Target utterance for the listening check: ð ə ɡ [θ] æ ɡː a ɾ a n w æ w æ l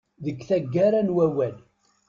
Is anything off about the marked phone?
no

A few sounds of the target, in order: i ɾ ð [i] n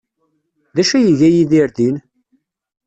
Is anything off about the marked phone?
no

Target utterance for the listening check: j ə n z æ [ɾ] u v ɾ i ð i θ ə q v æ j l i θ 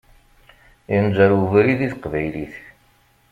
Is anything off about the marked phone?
no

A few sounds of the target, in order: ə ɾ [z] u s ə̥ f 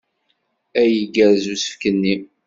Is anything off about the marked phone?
no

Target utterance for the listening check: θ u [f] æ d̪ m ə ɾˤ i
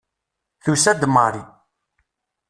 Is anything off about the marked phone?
yes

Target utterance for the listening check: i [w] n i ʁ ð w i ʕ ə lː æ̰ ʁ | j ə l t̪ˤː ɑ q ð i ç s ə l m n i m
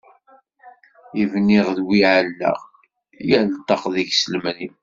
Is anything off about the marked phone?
yes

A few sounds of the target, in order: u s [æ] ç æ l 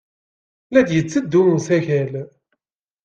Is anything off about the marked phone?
no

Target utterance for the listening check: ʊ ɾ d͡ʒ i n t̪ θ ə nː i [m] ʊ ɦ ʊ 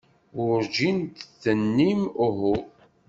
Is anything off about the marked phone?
no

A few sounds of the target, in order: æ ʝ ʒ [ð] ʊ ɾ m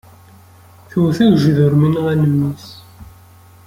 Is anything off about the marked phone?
no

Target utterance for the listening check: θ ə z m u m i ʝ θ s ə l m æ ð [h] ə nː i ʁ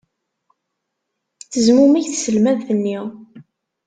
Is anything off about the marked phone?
yes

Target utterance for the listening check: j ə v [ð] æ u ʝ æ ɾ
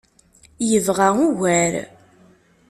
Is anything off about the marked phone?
yes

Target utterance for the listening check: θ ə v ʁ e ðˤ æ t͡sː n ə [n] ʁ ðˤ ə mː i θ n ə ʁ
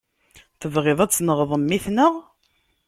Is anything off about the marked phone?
yes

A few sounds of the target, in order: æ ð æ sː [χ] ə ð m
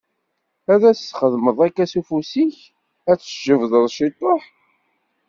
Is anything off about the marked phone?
no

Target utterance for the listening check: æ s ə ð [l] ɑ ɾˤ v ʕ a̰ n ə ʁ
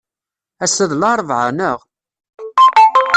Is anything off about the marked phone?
no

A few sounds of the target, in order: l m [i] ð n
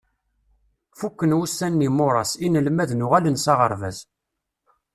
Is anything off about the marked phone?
yes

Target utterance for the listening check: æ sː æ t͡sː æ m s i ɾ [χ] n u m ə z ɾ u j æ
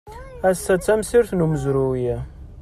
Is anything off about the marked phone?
yes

